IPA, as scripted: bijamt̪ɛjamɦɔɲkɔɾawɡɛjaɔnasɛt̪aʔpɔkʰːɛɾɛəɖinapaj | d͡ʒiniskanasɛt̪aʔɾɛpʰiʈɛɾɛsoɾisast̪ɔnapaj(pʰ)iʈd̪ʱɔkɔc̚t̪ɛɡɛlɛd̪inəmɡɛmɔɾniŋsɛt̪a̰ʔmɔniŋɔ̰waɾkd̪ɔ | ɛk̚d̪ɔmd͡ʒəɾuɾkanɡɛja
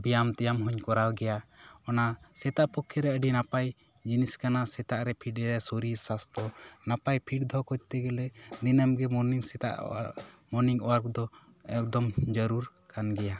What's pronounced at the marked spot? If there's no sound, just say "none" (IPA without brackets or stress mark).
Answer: pʰ